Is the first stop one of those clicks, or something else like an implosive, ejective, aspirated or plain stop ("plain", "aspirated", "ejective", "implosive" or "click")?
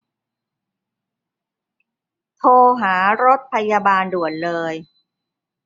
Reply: aspirated